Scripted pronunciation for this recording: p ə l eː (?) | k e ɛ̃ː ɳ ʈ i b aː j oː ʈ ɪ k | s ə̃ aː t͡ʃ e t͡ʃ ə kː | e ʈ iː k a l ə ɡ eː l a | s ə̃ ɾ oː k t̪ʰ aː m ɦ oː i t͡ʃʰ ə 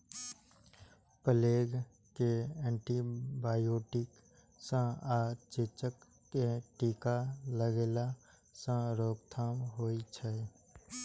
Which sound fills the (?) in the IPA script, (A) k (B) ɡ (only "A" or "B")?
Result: B